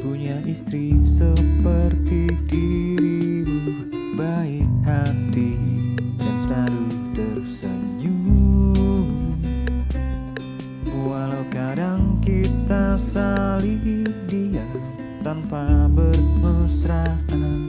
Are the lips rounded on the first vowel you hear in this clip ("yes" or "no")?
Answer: yes